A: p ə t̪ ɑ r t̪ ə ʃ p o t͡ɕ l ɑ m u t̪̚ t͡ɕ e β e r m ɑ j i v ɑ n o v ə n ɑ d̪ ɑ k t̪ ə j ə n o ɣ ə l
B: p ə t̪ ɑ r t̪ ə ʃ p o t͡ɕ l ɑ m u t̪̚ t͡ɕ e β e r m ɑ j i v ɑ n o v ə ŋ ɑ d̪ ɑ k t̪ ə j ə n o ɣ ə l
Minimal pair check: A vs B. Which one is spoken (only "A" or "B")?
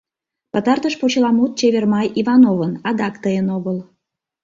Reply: A